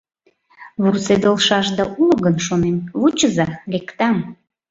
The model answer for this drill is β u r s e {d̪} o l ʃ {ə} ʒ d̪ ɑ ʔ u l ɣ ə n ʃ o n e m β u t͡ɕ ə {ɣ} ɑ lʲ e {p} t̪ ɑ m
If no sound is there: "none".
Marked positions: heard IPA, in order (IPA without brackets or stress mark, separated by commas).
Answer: d̪, ɑ, z, k